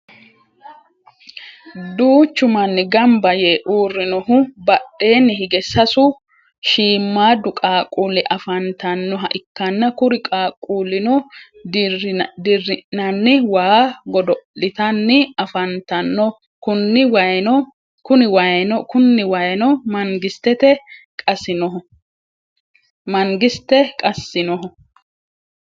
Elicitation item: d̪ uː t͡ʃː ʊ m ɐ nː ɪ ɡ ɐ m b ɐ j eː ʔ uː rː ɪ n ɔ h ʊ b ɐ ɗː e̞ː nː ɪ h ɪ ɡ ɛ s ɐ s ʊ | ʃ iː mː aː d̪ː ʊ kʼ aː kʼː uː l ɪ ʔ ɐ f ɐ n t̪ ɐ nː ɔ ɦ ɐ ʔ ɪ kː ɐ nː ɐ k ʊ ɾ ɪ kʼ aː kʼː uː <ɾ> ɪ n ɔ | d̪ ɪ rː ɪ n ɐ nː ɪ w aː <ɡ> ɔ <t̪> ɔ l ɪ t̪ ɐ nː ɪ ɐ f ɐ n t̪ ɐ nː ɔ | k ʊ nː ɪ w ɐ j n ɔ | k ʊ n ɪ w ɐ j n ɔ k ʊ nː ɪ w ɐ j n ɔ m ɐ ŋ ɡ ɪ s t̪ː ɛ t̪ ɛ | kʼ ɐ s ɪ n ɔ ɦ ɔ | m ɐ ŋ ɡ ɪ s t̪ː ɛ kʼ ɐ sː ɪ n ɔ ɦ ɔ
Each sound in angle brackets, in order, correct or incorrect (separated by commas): incorrect, correct, incorrect